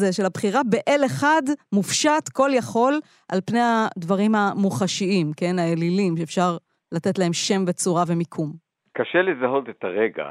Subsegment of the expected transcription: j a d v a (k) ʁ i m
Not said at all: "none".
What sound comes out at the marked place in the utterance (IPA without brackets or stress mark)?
none